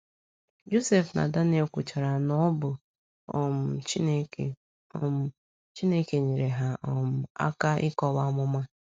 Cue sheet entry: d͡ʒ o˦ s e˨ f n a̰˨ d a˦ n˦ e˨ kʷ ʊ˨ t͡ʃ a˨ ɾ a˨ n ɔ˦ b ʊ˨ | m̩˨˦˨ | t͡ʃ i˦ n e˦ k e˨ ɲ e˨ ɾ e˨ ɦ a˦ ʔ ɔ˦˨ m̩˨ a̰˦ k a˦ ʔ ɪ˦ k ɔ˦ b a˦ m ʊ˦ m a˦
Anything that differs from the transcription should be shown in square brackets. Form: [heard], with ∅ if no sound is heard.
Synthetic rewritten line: d͡ʒ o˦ s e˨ f n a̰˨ d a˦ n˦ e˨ kʷ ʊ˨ t͡ʃ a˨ ɾ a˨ n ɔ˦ b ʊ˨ | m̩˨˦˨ | t͡ʃ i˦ n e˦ k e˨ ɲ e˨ ɾ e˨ ɦ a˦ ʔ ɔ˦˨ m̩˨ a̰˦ k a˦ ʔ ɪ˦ k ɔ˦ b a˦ m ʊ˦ m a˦